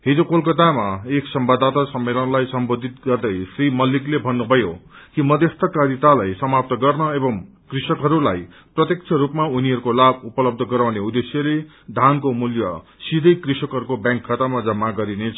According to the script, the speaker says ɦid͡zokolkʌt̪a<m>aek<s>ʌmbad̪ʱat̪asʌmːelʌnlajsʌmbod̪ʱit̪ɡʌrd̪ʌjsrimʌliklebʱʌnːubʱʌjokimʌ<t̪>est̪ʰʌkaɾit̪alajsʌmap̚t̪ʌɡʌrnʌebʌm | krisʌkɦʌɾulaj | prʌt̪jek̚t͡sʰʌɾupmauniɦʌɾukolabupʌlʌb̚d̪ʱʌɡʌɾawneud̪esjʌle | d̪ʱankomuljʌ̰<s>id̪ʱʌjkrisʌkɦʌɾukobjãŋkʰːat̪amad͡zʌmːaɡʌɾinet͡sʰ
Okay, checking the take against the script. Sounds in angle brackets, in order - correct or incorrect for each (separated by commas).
correct, correct, incorrect, correct